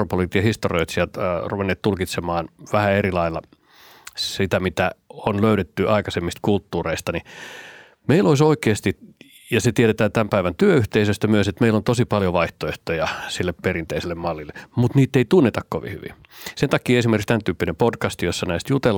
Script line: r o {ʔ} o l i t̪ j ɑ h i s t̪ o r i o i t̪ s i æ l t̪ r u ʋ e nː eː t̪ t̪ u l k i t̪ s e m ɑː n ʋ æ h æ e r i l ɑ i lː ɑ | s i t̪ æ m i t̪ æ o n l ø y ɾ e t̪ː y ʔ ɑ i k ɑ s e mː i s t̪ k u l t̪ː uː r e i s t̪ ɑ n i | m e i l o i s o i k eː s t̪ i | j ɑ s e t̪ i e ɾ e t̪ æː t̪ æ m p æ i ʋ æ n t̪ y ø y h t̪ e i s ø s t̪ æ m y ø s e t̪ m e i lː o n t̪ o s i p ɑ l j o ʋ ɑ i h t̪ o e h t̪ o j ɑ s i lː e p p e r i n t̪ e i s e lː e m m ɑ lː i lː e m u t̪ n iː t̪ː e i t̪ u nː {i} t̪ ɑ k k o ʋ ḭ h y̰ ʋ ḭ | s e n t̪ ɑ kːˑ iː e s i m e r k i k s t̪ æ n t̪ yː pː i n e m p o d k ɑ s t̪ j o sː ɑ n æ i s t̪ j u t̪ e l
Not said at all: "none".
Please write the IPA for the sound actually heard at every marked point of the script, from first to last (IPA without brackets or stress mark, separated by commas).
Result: p, e